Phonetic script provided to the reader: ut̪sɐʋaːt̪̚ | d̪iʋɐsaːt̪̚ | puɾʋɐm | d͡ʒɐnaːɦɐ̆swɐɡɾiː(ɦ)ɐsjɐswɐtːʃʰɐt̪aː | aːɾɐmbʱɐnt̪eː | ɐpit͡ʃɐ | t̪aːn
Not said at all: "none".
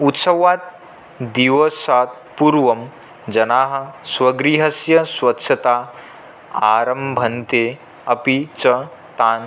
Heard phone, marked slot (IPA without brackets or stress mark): ɦ